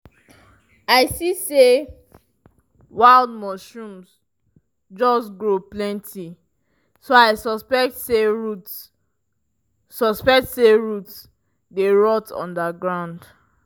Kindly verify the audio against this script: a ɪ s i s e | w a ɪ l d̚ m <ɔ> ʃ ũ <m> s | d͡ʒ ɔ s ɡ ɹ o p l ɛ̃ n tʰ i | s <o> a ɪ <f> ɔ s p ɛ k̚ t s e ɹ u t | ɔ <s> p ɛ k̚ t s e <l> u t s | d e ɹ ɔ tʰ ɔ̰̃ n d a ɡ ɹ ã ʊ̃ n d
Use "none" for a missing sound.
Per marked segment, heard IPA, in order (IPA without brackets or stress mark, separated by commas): ɔ, m, o, s, s, ɹ